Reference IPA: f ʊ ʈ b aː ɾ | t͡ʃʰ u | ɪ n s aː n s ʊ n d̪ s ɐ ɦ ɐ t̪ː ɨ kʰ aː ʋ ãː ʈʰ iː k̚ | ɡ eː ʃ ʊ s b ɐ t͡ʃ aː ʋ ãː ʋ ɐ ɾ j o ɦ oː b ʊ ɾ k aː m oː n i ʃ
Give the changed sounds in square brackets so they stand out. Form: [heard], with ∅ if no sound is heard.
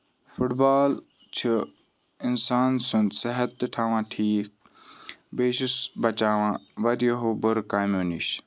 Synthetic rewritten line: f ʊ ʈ b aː [l] | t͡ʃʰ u | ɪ n s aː n s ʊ n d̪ s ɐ ɦ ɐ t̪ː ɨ [ʈʰ] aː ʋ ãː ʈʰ iː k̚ | [b] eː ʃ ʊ s b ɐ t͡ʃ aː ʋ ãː ʋ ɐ ɾ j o ɦ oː b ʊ ɾ k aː m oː n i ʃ